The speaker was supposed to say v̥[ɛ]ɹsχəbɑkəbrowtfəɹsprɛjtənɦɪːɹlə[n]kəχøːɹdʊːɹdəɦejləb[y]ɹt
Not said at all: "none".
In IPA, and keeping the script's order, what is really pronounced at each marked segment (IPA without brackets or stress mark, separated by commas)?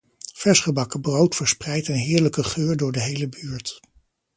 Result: ɛ, none, yː